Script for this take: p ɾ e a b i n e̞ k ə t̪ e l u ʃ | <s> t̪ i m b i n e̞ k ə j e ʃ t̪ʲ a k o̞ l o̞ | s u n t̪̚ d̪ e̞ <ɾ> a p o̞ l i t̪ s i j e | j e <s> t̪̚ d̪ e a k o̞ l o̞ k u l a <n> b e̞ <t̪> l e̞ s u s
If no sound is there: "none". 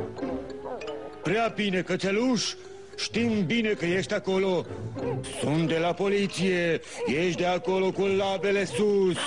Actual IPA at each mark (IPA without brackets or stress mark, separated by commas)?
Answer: ʃ, l, ʃ, none, none